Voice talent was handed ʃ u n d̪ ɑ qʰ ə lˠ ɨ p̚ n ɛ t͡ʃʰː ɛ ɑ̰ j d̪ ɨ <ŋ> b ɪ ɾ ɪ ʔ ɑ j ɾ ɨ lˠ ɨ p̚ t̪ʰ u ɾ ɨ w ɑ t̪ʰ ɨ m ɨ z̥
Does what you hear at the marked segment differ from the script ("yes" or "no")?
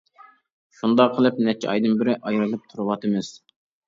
yes